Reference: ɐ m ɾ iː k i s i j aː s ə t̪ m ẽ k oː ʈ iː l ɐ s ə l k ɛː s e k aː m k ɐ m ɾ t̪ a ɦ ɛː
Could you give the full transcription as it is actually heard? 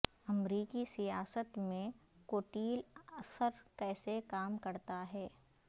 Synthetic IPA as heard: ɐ m ɾ iː k i s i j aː s ə t̪ m ẽ k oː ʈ iː l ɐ s ə ɾ k ɛː s e k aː m k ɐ ɾ t̪ a ɦ ɛː